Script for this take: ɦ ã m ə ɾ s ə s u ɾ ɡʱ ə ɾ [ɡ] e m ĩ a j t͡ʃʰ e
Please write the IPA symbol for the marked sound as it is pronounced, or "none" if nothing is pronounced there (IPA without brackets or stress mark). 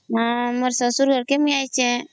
k